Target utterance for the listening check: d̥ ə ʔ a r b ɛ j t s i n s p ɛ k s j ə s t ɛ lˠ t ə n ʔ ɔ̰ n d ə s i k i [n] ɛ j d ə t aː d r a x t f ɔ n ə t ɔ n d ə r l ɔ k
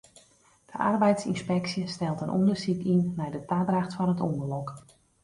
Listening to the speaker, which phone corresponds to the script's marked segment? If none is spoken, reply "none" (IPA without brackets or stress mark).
nː